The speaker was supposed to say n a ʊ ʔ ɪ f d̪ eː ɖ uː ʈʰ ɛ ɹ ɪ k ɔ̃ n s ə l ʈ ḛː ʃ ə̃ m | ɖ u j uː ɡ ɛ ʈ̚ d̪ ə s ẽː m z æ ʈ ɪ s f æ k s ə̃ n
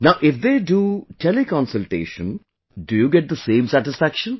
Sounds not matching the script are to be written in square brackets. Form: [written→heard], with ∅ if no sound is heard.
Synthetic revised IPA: n a ʊ ʔ ɪ f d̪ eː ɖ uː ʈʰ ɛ [ɹ→l] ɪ k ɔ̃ n s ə l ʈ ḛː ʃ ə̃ [m→n] | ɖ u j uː ɡ ɛ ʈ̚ d̪ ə s ẽː m [z→s] æ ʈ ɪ s f æ k [s→ʃ] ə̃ n